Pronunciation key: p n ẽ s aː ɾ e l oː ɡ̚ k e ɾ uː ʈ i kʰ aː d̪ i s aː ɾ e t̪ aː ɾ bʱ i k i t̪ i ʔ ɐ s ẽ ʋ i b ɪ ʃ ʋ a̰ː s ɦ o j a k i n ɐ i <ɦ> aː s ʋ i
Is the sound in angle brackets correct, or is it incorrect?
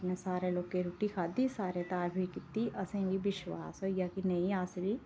incorrect